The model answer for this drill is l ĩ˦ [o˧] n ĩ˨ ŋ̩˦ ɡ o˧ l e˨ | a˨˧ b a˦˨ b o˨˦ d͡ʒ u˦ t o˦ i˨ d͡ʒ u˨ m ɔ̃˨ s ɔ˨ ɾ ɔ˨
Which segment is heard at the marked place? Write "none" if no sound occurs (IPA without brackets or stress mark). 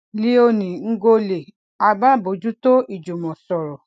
o˧